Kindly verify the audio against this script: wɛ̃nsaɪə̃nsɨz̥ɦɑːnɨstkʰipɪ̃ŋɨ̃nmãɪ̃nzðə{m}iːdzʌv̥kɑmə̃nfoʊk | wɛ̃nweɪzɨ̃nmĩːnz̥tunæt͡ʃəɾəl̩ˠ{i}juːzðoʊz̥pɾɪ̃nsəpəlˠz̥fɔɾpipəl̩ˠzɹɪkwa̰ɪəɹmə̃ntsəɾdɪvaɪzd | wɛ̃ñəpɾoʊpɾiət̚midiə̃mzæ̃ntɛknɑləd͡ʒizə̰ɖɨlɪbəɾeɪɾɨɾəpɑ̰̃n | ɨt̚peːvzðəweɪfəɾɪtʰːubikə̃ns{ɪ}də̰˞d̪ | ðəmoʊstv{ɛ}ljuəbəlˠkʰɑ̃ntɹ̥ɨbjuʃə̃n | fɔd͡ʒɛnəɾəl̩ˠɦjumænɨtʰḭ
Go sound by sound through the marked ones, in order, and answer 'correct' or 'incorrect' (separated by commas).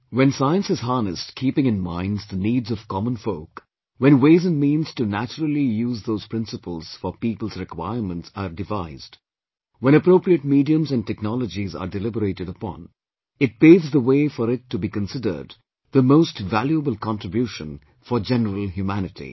incorrect, correct, correct, incorrect